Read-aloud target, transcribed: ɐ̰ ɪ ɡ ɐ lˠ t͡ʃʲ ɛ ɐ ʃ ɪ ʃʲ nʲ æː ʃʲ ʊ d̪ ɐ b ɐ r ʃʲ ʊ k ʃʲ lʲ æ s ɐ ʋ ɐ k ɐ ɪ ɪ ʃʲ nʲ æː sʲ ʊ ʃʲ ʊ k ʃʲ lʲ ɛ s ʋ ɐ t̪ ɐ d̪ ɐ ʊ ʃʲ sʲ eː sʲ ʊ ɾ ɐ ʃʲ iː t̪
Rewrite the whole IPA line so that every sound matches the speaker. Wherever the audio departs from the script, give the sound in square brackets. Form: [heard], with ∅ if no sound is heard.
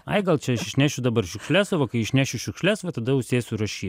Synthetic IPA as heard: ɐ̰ ɪ ɡ ɐ lˠ t͡ʃʲ ɛ ɐ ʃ ɪ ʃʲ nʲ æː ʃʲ ʊ d̪ ɐ b ɐ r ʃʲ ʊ k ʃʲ lʲ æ s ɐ ʋ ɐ k ɐ ɪ ɪ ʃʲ nʲ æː [ʃʲ] ʊ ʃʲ ʊ k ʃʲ lʲ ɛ s ʋ ɐ t̪ ɐ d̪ ɐ ʊ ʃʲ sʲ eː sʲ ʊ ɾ ɐ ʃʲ iː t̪